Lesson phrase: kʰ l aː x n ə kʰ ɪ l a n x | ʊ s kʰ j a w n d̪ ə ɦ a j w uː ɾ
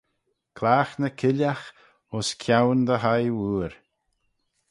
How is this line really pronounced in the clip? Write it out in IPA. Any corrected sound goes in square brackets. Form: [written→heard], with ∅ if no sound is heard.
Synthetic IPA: kʰ l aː x n ə kʰ ɪ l a [n→∅] x | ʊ s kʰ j a w n d̪ ə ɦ a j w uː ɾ